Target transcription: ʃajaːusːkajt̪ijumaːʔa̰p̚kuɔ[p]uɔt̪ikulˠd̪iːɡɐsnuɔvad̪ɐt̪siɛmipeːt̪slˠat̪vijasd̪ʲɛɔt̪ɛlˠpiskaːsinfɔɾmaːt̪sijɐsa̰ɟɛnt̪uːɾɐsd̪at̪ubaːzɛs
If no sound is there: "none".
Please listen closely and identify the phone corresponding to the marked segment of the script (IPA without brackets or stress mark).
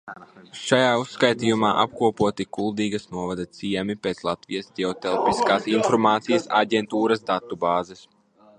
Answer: p